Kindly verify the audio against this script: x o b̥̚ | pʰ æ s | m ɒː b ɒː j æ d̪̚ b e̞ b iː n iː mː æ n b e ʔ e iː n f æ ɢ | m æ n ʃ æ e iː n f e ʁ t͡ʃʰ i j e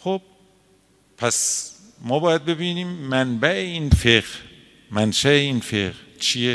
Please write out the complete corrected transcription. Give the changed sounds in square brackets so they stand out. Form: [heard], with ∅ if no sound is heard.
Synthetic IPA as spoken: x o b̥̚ | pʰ æ s | m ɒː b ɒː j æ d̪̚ b e̞ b iː n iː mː æ n b [æ] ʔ e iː n f [e] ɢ | m æ n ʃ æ e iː n f e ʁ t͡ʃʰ i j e